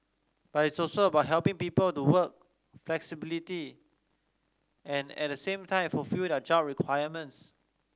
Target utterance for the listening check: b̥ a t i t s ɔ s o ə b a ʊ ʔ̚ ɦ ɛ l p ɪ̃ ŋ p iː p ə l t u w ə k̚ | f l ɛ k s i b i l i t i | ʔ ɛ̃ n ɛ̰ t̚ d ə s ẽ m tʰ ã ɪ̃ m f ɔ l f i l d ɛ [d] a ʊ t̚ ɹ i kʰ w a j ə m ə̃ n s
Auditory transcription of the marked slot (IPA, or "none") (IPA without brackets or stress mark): d͡ʒ